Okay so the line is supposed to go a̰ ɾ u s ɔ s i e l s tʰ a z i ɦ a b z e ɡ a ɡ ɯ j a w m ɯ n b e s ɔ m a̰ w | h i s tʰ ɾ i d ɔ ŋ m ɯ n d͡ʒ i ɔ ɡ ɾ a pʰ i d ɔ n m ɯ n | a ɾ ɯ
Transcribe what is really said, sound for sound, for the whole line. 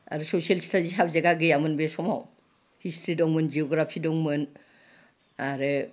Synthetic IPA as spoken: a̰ ɾ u s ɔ s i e l s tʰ a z i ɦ a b z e ɡ a ɡ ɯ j a m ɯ n b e s ɔ m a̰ w | h i s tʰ ɾ i d ɔ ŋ m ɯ n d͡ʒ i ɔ ɡ ɾ a pʰ i d ɔ ŋ m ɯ n | a ɾ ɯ